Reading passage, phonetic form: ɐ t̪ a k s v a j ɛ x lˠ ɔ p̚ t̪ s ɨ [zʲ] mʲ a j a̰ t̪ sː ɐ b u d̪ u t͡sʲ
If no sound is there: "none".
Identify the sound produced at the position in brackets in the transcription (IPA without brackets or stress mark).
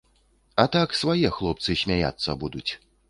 sʲ